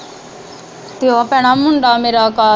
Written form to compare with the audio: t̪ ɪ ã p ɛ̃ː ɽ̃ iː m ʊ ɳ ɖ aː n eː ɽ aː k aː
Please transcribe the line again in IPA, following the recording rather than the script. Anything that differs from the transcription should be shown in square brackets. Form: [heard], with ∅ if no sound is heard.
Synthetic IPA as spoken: t̪ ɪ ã p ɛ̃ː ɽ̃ [aː] m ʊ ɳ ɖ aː [m] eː [ɾ] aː k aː